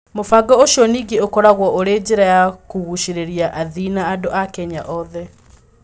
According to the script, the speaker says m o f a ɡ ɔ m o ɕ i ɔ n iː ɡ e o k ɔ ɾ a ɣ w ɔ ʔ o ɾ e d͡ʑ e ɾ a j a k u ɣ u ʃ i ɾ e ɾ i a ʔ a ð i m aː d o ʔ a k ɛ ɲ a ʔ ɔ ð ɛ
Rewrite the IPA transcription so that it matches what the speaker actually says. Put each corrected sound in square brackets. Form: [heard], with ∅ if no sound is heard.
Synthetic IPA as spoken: m o f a ɡ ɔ [∅] o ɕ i ɔ n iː ɡ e o k ɔ ɾ a ɣ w ɔ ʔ o ɾ e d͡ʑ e ɾ a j a k u ɣ u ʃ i ɾ e ɾ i a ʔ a ð i [n] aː d o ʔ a k ɛ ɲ a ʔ ɔ ð ɛ